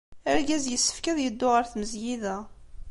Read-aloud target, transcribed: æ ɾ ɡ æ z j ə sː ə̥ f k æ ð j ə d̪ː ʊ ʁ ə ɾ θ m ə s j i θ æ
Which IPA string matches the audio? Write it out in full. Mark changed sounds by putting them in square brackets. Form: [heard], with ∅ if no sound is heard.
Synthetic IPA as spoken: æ ɾ ɡ æ z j ə sː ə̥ f k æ ð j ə d̪ː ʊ ʁ ə ɾ θ m ə [z] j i [ð] æ